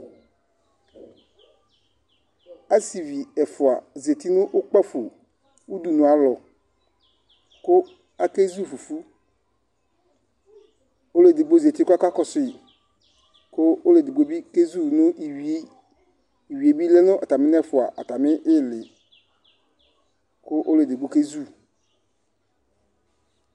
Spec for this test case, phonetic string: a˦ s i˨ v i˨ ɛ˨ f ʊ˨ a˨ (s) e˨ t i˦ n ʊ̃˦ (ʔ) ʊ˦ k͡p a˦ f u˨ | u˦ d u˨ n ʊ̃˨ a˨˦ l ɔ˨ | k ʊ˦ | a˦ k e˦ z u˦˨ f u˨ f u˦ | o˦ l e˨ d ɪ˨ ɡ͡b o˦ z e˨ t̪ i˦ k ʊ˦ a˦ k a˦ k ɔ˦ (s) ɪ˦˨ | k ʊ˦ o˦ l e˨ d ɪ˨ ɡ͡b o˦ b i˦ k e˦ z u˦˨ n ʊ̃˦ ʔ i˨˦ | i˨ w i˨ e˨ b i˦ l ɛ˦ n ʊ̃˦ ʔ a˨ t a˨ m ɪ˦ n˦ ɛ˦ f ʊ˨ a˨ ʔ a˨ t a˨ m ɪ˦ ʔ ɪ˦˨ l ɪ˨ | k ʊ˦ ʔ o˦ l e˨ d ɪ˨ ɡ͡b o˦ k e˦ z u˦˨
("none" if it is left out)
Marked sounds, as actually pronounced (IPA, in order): z, ʔ, s

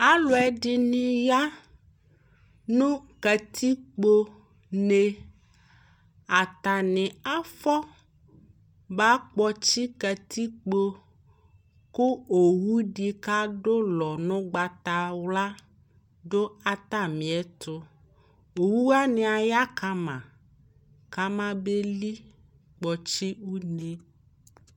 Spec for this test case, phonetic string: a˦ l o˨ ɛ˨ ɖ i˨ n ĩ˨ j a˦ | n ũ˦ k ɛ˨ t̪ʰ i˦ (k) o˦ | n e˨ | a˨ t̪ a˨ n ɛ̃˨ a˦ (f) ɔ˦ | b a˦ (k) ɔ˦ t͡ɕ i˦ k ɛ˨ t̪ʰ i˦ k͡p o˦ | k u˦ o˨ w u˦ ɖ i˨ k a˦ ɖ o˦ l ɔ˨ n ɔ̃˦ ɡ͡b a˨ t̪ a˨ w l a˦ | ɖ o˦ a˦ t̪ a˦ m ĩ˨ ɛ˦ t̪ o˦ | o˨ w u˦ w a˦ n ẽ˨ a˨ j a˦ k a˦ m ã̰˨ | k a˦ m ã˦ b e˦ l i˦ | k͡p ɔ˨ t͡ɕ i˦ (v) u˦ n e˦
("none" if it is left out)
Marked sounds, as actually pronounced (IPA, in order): k͡p, f, k͡p, w

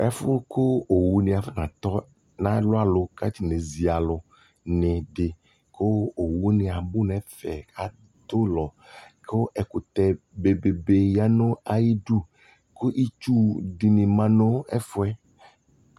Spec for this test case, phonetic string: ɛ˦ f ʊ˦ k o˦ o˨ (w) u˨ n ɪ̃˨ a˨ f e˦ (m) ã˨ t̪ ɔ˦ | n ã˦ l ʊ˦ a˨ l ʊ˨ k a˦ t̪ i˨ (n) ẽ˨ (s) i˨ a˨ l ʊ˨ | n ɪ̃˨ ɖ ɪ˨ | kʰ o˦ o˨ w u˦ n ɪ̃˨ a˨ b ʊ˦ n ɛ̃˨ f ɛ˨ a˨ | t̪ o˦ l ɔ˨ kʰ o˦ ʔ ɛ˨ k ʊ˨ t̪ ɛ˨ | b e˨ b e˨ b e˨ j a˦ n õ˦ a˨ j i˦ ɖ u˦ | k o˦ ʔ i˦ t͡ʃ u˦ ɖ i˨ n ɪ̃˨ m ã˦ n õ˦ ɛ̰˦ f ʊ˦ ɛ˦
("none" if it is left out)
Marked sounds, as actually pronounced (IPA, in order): w, n, n, z

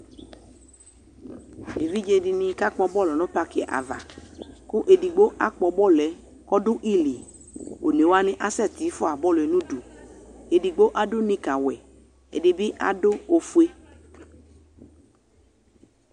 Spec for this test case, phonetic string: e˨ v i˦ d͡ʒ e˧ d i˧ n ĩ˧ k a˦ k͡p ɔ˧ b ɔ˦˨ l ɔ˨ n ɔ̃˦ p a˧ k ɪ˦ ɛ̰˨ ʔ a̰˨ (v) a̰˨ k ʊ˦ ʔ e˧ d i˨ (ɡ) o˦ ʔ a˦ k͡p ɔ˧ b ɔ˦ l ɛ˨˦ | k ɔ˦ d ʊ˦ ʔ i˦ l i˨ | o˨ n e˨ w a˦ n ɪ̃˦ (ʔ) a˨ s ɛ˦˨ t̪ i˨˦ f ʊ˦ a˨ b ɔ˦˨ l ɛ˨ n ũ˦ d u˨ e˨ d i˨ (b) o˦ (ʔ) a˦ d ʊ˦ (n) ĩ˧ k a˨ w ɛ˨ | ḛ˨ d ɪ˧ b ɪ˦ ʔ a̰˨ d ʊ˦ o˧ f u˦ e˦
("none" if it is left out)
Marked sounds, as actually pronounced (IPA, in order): v, ɡ͡b, ʔ, ɡ͡b, ʔ, n

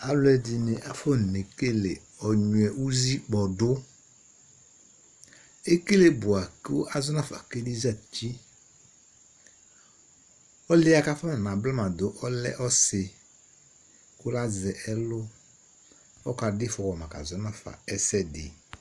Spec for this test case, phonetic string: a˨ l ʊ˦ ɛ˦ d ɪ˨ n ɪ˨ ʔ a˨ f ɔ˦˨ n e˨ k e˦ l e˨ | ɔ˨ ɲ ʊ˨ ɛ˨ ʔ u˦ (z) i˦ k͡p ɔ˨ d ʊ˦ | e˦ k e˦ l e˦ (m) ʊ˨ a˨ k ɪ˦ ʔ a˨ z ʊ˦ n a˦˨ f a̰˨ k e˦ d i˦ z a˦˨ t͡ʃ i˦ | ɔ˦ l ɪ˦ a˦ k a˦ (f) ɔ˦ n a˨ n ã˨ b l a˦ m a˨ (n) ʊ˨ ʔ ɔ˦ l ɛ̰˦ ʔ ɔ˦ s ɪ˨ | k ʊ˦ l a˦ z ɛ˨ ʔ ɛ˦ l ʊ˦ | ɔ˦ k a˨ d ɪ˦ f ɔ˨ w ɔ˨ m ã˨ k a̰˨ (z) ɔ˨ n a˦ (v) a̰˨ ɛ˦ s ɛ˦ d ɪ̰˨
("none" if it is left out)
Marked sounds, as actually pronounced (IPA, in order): z, b, f, d, z, f

